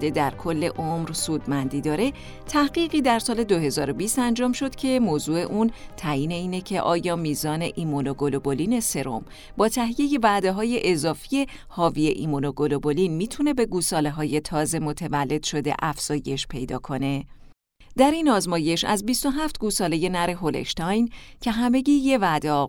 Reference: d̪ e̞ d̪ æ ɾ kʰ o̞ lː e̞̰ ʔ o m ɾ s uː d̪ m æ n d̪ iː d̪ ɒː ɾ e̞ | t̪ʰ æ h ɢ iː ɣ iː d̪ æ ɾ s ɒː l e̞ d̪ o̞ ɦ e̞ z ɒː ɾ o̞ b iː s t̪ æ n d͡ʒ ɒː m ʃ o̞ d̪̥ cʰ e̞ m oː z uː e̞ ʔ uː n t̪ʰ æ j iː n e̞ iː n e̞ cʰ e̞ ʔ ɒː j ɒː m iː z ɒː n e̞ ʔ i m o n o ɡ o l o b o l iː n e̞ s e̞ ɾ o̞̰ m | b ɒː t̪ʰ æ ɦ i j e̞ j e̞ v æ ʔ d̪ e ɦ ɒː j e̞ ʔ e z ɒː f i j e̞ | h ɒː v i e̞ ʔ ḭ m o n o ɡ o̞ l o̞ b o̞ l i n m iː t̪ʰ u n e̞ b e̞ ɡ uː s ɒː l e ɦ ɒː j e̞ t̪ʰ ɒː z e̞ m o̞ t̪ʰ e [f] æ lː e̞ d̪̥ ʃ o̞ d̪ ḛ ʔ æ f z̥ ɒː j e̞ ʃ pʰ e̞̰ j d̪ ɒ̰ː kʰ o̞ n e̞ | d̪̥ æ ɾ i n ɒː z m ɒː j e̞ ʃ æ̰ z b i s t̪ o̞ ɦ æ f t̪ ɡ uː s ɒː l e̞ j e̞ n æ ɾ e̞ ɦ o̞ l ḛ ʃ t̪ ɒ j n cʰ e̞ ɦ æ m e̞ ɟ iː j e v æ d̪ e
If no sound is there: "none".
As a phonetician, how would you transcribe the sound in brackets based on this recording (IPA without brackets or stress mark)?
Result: v